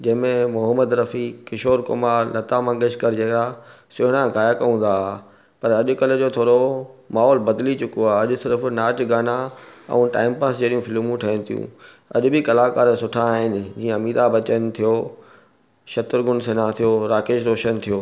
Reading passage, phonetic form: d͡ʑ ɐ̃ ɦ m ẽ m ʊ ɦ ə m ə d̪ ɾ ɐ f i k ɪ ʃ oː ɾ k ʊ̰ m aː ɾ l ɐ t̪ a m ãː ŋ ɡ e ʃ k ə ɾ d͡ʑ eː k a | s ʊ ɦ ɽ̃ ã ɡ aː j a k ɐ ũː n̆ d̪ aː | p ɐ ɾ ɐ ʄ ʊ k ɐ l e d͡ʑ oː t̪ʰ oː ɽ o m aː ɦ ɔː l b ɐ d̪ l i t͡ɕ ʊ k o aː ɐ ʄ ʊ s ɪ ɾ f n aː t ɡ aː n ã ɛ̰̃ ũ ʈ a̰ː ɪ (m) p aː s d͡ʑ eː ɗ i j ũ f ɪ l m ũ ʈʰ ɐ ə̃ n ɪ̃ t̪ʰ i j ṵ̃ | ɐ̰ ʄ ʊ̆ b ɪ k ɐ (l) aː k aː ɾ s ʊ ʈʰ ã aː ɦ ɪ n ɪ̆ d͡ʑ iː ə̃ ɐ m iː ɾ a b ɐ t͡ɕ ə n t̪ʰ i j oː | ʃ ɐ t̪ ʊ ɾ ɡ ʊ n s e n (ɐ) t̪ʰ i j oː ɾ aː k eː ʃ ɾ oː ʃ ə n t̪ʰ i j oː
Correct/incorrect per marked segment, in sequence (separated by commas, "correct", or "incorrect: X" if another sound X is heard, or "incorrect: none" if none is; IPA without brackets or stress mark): correct, correct, incorrect: a